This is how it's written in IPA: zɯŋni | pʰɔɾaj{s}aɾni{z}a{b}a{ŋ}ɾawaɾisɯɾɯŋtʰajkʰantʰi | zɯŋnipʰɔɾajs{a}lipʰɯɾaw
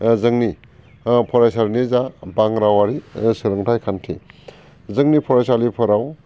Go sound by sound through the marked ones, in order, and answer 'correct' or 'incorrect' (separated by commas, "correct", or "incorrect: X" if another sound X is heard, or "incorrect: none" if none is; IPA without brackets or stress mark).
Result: correct, correct, correct, correct, correct